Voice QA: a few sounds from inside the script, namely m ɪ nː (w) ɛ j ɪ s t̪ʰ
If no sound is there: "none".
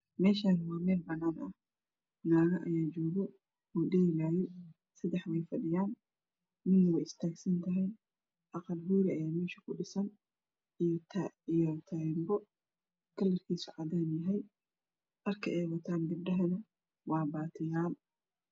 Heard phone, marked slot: w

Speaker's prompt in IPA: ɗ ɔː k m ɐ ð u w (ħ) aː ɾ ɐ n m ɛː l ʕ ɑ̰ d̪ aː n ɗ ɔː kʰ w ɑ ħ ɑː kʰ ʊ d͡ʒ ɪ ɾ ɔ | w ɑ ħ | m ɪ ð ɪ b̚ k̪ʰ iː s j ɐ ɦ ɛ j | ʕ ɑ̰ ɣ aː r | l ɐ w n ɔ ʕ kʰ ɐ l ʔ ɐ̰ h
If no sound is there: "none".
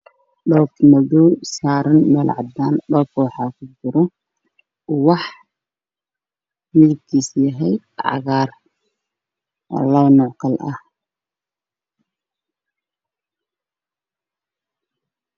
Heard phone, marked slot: s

